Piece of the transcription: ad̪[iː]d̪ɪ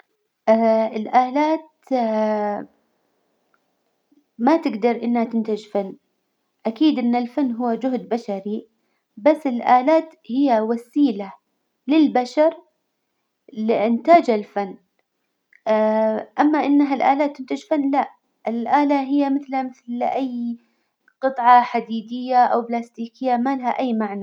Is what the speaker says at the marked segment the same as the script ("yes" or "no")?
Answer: yes